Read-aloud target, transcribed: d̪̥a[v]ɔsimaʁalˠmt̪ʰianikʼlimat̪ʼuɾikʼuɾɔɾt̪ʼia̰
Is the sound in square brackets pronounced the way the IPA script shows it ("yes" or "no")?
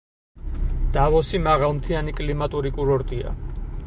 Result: yes